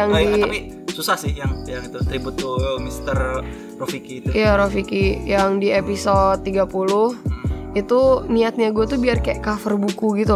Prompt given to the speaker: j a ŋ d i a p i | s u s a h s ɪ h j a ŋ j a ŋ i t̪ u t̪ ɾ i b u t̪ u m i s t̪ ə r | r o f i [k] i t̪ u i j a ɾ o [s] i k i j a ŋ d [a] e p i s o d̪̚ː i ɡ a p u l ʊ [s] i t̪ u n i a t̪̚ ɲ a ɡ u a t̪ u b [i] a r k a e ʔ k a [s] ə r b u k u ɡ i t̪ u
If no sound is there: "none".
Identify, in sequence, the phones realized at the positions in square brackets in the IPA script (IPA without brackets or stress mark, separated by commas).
k, f, i, h, i, f